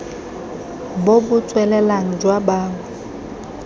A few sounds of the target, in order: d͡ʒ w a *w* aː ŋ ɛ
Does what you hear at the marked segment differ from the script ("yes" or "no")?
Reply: yes